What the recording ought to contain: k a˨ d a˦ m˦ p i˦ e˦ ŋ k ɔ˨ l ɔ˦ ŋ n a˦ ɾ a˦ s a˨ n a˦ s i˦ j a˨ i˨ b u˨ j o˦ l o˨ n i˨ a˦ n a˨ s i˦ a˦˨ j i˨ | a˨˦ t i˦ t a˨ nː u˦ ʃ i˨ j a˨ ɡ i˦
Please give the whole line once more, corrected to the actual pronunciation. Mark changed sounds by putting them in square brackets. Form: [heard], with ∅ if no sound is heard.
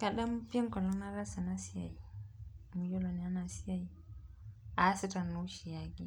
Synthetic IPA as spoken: k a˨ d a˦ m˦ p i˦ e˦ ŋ k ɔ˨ l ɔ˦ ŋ n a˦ ɾ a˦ s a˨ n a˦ s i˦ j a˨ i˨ [m] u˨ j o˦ l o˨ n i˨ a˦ n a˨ s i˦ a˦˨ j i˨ | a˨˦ [s] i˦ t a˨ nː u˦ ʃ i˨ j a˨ ɡ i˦